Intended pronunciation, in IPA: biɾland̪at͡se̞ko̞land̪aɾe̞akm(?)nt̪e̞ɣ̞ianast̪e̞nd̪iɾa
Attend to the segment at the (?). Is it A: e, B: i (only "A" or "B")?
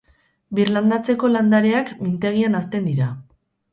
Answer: B